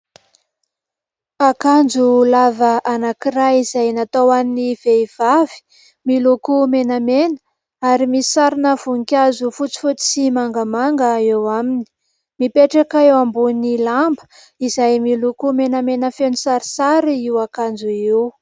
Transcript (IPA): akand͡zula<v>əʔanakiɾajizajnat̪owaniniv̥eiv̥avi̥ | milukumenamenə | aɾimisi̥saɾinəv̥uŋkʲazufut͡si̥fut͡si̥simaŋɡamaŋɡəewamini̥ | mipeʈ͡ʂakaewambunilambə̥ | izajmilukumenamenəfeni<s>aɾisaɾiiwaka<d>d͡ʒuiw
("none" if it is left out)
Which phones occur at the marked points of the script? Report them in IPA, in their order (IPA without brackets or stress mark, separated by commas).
v, s, n